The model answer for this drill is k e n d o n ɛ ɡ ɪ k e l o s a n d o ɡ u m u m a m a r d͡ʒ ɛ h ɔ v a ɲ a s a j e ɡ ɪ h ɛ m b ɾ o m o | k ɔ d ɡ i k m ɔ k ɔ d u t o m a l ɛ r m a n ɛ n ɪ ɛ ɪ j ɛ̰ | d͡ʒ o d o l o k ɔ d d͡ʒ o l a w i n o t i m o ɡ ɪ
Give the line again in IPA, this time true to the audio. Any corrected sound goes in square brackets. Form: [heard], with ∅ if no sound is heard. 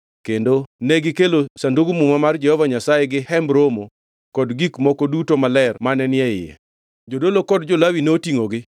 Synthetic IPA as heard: k e n d o n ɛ ɡ ɪ k e l o s a n d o ɡ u m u m a m a r d͡ʒ ɛ h ɔ v a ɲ a s a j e ɡ ɪ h ɛ m b ɾ o m o | k ɔ d ɡ i k m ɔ k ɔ d u t o m a l ɛ r m a n ɛ n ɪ ɛ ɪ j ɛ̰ | d͡ʒ o d o l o k ɔ d d͡ʒ o l a w i n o t i [ŋ] o ɡ ɪ

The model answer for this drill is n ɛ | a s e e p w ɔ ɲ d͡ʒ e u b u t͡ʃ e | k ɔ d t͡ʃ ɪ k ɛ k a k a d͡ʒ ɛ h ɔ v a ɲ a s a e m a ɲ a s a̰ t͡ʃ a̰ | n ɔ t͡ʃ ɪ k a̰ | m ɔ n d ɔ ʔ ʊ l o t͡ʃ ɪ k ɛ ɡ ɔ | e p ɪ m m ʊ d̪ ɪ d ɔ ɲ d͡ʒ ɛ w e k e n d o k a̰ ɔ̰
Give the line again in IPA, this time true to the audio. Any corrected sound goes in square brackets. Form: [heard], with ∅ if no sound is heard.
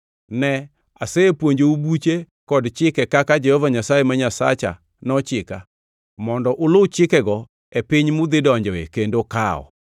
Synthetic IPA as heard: n ɛ | a s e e p w [o] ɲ d͡ʒ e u b u t͡ʃ e | k ɔ d t͡ʃ ɪ k ɛ k a k a d͡ʒ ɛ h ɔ v a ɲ a s a e m a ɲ a s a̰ t͡ʃ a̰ | n ɔ t͡ʃ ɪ k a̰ | m ɔ n d ɔ ʔ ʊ l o t͡ʃ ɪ k ɛ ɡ ɔ | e p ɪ [ɲ] m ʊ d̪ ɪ d ɔ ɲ d͡ʒ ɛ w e k e n d o k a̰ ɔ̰

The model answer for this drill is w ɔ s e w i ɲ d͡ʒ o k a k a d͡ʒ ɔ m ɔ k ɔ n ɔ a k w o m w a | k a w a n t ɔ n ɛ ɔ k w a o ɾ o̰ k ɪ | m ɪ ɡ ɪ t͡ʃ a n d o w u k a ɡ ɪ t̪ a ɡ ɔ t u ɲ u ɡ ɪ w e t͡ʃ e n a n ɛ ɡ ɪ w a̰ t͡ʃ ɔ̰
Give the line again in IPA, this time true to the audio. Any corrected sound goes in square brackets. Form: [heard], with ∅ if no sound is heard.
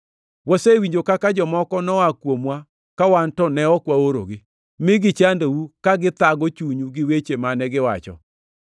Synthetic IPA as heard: w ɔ s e w i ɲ d͡ʒ o k a k a d͡ʒ ɔ m ɔ k ɔ n ɔ a k w o m w a | k a w a n t ɔ n ɛ ɔ k w a o ɾ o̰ [ɡ] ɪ | m ɪ ɡ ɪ t͡ʃ a n d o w u k a ɡ ɪ t̪ a ɡ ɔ [t͡ʃ] u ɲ u ɡ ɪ w e t͡ʃ e [m] a n ɛ ɡ ɪ w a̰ t͡ʃ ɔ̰

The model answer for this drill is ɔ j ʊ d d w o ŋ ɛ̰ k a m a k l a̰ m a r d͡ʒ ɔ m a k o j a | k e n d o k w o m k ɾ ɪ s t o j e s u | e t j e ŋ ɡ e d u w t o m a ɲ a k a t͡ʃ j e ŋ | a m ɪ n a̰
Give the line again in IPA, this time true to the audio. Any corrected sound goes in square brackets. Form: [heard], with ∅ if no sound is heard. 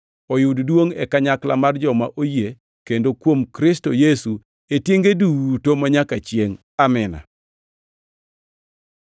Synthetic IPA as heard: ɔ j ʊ d d w o ŋ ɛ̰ k a [ɲ] a k l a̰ m a r d͡ʒ ɔ m a [ʔ] o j [e] | k e n d o k w o m k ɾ ɪ s t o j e s u | e t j e ŋ ɡ e d u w t o m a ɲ a k a t͡ʃ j e ŋ | a m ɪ n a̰

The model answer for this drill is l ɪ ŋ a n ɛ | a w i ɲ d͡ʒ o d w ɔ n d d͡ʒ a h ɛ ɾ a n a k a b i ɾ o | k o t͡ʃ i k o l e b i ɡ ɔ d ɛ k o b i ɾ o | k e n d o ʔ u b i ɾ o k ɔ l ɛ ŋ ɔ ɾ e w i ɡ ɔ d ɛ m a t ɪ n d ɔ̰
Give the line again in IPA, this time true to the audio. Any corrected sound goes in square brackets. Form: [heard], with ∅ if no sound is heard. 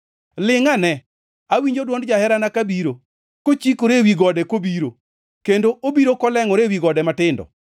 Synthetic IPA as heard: l ɪ ŋ a n ɛ | a w i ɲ d͡ʒ o d w ɔ n d d͡ʒ a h ɛ ɾ a n a k a b i ɾ o | k o t͡ʃ i k o [ɾ] e [w] i ɡ ɔ d ɛ k o b i ɾ o | k e n d o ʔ [o] b i ɾ o k ɔ l ɛ ŋ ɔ ɾ e w i ɡ ɔ d ɛ m a t ɪ n d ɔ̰

